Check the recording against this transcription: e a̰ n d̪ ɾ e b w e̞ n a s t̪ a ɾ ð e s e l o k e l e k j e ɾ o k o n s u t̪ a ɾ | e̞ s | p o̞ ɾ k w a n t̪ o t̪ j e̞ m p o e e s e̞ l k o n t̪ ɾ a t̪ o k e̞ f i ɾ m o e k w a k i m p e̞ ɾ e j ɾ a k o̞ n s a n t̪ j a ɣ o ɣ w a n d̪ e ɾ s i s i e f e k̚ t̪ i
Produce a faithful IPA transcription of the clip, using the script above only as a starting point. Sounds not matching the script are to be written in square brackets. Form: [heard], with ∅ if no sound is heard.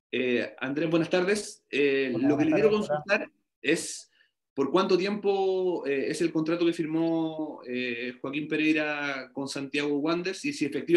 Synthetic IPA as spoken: e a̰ n d̪ ɾ e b w e̞ n a s t̪ a ɾ ð e s e l o k e l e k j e ɾ o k o n s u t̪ a ɾ | e̞ s | p o̞ ɾ k w a n t̪ o t̪ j e̞ m p o e e s e̞ l k o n t̪ ɾ a t̪ o k e̞ f i ɾ m o e [x] w a k i m p e̞ ɾ e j ɾ a k o̞ n s a n t̪ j a ɣ o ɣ w a n d̪ e ɾ s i s i e f e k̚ t̪ i